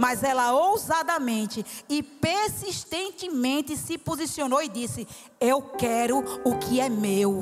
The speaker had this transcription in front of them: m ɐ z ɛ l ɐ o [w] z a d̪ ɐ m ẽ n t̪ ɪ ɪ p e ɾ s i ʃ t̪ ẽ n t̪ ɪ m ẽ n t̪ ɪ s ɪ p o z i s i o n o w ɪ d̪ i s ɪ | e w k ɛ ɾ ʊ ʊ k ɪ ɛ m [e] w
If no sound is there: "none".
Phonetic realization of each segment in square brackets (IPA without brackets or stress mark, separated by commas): w, e